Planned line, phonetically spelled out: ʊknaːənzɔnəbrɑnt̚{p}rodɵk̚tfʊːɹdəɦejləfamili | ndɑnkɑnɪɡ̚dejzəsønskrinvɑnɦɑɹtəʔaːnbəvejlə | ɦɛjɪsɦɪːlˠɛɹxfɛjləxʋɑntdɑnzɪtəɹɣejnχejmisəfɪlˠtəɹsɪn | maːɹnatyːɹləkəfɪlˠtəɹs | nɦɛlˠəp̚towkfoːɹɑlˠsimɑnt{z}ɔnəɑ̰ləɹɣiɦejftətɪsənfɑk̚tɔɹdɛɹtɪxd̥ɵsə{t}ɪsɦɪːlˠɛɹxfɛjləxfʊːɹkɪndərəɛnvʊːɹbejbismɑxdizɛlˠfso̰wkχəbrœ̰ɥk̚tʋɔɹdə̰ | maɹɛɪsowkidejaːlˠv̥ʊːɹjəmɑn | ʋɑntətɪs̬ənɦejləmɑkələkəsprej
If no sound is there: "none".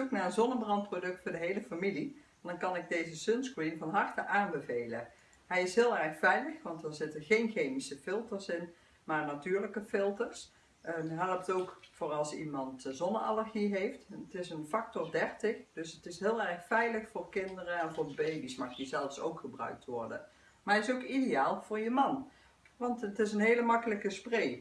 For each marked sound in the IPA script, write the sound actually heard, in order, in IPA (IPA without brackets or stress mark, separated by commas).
p, z, t